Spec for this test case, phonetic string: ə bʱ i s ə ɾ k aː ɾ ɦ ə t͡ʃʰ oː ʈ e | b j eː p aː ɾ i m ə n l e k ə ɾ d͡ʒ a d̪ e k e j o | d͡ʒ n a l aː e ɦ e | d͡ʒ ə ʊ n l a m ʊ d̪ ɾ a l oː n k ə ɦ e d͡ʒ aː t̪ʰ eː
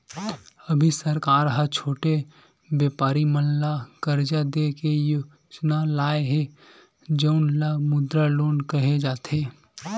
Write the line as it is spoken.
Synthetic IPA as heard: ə bʱ i s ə ɾ k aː ɾ ɦ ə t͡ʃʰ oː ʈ e | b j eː p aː ɾ i m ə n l a k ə ɾ d͡ʒ a d̪ e k e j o | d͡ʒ n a l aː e ɦ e | d͡ʒ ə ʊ n l a m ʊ d̪ ɾ a l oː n k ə ɦ e d͡ʒ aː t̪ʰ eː